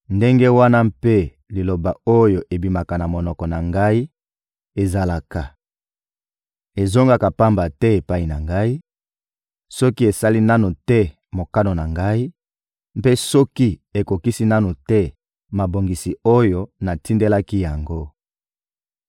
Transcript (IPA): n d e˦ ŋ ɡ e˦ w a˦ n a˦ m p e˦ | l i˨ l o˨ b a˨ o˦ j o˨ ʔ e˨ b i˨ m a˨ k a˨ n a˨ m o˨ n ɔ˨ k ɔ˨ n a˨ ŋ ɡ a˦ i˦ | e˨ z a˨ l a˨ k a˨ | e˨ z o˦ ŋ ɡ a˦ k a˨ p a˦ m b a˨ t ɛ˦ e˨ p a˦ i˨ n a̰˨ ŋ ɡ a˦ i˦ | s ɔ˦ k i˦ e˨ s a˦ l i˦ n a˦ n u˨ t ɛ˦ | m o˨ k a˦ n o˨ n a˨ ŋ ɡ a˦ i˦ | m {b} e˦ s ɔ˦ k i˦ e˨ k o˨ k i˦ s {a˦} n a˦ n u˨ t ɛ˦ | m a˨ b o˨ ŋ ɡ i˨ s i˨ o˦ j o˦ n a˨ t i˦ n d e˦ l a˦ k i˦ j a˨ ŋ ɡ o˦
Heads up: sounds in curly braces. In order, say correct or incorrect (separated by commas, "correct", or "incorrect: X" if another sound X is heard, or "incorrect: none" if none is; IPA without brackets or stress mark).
incorrect: p, incorrect: i˦